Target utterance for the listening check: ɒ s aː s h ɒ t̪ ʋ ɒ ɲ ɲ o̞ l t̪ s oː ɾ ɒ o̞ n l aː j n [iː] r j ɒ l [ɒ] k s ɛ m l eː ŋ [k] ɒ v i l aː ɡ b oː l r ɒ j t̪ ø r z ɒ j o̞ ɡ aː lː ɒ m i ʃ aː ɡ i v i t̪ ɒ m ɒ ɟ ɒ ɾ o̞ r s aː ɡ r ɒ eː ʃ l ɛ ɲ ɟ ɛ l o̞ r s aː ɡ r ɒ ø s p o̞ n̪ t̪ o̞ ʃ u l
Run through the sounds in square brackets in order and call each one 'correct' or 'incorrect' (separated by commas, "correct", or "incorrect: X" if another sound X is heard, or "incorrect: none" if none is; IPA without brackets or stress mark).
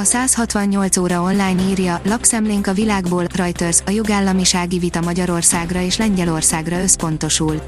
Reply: correct, correct, correct